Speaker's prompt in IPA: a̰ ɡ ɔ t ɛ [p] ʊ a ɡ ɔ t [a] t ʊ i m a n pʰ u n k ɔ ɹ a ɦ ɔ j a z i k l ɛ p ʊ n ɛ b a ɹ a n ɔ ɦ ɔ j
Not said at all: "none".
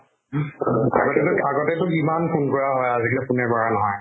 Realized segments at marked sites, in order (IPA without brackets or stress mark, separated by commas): t, ɛ